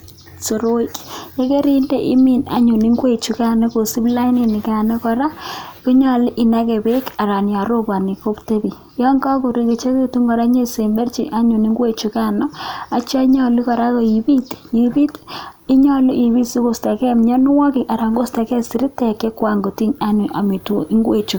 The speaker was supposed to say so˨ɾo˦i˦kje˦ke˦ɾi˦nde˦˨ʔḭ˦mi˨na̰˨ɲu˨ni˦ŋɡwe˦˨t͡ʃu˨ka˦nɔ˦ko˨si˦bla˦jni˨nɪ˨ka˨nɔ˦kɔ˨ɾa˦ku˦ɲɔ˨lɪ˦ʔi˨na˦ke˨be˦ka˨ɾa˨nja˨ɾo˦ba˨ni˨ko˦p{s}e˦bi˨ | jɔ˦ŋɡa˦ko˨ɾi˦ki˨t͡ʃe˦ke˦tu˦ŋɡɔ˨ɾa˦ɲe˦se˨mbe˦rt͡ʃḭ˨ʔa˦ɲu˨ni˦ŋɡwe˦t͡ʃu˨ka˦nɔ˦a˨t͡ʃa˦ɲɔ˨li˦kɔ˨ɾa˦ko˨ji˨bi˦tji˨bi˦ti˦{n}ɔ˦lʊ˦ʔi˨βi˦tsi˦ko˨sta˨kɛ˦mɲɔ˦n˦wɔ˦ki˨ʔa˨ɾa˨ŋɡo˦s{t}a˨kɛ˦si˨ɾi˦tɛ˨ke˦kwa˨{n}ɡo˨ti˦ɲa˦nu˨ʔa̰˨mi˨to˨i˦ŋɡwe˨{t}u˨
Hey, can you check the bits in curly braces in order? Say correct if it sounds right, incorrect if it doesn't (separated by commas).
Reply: incorrect, incorrect, correct, incorrect, incorrect